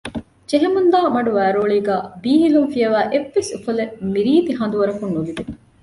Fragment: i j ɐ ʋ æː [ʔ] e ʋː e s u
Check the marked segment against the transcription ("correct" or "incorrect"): correct